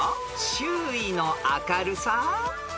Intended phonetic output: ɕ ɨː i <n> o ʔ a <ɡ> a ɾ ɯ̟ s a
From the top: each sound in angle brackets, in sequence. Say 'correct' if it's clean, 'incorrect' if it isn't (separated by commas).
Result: correct, incorrect